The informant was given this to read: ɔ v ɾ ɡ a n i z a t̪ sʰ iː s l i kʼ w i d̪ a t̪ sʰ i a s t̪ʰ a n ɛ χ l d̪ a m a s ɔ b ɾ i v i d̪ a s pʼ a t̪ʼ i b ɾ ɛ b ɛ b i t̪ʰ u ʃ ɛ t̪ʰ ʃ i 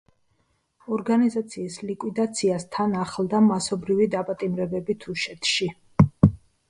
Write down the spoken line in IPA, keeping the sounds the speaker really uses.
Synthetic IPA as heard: ɔ ɾ ɡ a n i z a t̪ sʰ iː s l i kʼ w i d̪ a t̪ sʰ i a s t̪ʰ a n a χ l d̪ a m a s ɔ b ɾ i v i d̪ a pʼ a t̪ʼ i m ɾ ɛ b ɛ b i t̪ʰ u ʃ ɛ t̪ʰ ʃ i